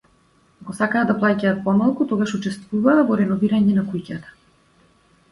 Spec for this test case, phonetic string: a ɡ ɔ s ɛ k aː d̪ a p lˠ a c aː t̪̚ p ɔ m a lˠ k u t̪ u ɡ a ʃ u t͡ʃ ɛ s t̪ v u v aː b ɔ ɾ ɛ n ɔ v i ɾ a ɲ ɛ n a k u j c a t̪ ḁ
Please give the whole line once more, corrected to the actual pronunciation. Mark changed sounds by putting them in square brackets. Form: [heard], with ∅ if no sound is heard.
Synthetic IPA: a ɡ ɔ s [a] k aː d̪ a p lˠ a c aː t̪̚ p ɔ m a lˠ k u t̪ [ɔ] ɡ a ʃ u t͡ʃ ɛ s t̪ v u v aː [v] ɔ ɾ ɛ n ɔ v i ɾ a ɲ ɛ n a k u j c a t̪ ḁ